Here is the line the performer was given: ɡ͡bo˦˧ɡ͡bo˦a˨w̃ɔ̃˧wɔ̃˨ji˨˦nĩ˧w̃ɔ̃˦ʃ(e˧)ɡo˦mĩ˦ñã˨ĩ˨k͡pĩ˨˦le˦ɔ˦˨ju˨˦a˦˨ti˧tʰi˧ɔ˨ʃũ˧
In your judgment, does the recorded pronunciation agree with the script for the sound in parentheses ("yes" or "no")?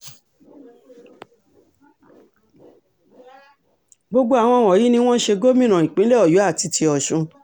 yes